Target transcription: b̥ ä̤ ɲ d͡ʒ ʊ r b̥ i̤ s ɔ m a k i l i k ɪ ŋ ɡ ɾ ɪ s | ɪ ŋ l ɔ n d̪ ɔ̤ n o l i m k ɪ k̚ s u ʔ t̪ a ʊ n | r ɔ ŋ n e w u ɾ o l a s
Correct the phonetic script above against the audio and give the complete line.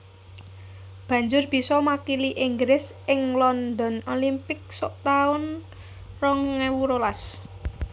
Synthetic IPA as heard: b̥ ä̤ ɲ d͡ʒ ʊ r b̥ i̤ s ɔ m a k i l i ʔ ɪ ŋ ɡ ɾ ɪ s | ɪ ŋ l ɔ n d̪ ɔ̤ n o l i m p ɪ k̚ s ɔ ʔ t̪ a ʊ n | r ɔ ŋ ŋ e w u ɾ o l a s